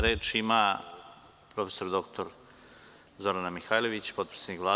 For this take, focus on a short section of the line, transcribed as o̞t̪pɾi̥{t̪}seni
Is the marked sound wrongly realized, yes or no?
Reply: yes